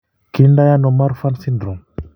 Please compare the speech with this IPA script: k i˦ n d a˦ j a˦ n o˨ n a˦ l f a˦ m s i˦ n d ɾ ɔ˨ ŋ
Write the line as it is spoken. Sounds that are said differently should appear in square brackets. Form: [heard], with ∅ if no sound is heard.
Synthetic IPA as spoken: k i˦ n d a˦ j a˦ n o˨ [m] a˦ [ɾ] f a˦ [n] s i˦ n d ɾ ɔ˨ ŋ